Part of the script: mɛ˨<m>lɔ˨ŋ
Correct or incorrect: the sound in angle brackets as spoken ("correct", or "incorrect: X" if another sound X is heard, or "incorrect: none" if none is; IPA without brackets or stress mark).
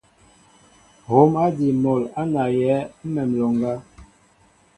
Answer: correct